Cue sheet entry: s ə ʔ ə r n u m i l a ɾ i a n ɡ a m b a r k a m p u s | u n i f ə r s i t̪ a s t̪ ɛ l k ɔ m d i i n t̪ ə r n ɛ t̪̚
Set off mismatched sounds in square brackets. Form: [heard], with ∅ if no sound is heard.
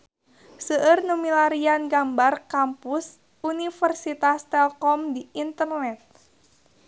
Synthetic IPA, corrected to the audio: s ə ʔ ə r n u m i l a ɾ i a n ɡ a m b a r k a m p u s | u n i f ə r s i t̪ a s t̪ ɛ l k ɔ m d i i n t̪ ə r n ɛ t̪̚